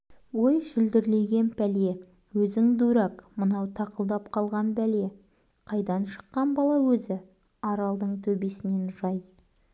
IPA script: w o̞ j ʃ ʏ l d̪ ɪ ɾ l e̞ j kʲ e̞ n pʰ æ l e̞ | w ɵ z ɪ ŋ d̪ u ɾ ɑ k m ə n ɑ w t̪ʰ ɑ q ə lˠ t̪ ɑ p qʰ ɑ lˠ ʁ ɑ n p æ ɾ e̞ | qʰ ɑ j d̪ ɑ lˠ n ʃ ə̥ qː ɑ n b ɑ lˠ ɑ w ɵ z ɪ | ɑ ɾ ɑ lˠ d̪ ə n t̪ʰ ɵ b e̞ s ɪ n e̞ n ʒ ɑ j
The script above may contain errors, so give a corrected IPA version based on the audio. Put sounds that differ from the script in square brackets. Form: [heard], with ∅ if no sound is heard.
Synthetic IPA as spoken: w o̞ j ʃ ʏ l d̪ ɪ ɾ l e̞ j [ɡʲ] e̞ n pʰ æ l e̞ | w ɵ z ɪ ŋ d̪ u ɾ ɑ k m ə n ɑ w t̪ʰ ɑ q ə lˠ [d̪] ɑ p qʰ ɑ lˠ ʁ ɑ n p æ [l] e̞ | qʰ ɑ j d̪ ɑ [∅] n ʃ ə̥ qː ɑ n b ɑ lˠ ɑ w ɵ z ɪ | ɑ ɾ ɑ lˠ d̪ ə [ɴ] t̪ʰ ɵ b e̞ s ɪ n e̞ n ʒ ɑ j